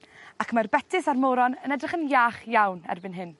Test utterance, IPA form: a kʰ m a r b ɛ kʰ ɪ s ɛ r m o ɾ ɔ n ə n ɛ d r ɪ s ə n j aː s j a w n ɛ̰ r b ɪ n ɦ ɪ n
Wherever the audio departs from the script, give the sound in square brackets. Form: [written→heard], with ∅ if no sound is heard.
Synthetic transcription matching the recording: a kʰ m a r b ɛ [kʰ→tʰ] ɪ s [ɛ→a] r m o ɾ ɔ n ə n ɛ d r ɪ [s→χ] ə n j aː [s→χ] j a w n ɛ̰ r b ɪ n ɦ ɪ n